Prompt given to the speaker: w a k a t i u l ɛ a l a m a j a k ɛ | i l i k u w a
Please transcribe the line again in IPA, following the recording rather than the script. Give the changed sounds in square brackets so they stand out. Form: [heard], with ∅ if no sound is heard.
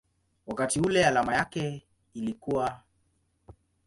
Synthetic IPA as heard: w a k a t i u l ɛ a l a m a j a k ɛ | i l i k u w a